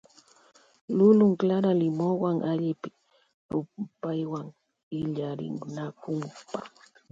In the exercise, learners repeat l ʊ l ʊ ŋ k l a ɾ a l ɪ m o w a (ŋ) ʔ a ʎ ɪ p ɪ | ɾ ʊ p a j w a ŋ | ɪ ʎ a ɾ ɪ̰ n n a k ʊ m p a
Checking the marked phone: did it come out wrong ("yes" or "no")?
no